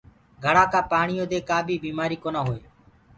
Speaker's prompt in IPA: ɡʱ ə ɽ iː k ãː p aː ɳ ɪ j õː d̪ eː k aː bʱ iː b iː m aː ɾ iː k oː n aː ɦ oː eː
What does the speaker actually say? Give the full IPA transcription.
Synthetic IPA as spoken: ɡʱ ə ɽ aː k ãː p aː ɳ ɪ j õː d̪ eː k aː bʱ iː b iː m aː ɾ iː k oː n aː ɦ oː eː